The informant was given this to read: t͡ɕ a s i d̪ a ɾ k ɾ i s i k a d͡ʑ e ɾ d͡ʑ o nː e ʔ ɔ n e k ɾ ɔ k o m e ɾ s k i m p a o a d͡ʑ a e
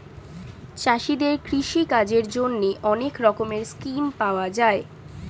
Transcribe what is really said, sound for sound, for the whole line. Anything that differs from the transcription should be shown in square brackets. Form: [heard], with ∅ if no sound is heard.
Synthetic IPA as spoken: t͡ɕ a [ʃ] i d̪ [e] ɾ k ɾ i [ʃ] i k a d͡ʑ e ɾ d͡ʑ o nː e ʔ ɔ n e k ɾ ɔ k o m e ɾ s k i m p a o a d͡ʑ a e